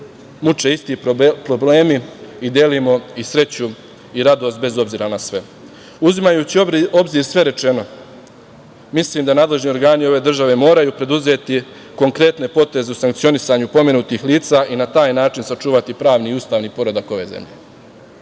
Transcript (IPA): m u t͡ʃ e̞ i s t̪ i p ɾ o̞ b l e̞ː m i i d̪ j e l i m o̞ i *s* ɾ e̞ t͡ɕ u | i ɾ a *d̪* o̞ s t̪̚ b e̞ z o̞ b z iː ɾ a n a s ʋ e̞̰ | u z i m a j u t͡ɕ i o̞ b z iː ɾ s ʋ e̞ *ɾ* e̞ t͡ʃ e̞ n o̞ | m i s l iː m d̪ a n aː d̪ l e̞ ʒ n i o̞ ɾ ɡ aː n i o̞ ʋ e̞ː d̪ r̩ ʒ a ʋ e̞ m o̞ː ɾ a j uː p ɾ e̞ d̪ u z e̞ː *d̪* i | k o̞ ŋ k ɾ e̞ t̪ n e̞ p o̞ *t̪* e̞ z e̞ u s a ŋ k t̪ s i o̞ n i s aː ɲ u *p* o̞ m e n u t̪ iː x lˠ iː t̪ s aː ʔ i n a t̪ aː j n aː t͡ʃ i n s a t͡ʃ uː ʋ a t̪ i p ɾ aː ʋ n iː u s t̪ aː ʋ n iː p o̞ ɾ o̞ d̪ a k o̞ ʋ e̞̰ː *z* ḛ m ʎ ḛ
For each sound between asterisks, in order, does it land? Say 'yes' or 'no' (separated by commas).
yes, yes, yes, no, yes, yes, yes